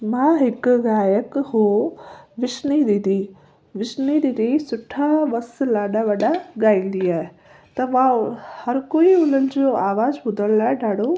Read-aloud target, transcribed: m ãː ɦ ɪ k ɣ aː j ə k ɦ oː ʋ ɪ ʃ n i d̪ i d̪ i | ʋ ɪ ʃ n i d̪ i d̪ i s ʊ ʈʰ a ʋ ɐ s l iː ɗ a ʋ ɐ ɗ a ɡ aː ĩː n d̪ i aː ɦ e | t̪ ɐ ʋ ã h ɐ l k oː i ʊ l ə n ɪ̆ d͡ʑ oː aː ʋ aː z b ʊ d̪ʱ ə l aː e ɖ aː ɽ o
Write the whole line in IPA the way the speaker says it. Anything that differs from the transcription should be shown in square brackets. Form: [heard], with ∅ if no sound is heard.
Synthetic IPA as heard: m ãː ɦ ɪ k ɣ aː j ə k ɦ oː ʋ ɪ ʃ n i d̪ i d̪ i | ʋ ɪ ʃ n i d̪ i d̪ i s ʊ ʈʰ a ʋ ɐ s l [aː] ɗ a ʋ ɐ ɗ a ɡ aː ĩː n d̪ i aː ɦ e | t̪ ɐ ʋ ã h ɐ [ɾ] k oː i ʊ l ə n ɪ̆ d͡ʑ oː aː ʋ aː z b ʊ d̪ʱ ə l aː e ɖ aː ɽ o